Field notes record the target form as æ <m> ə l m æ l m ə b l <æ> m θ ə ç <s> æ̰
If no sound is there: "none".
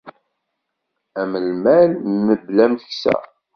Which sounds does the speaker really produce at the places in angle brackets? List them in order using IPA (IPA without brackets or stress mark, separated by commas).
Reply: m, æ, s